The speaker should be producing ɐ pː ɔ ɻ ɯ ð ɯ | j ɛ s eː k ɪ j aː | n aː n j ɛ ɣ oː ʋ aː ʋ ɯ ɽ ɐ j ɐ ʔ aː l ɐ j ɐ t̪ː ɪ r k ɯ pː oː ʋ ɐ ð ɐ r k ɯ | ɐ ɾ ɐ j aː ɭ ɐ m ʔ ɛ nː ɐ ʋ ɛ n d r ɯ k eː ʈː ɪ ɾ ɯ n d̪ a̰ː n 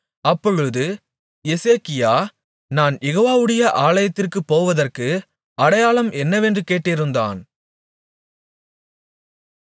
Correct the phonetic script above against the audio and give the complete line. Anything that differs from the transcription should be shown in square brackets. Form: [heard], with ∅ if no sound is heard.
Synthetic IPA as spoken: ɐ pː ɔ ɻ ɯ ð ɯ | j ɛ s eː k ɪ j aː | n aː n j ɛ ɣ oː ʋ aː ʋ ɯ ɽ ɐ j ɐ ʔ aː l ɐ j ɐ t̪ː ɪ r k ɯ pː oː ʋ ɐ ð ɐ r k ɯ | ɐ [ɽ] ɐ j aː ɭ ɐ m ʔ ɛ nː ɐ ʋ ɛ n d r ɯ k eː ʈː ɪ ɾ ɯ n d̪ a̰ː n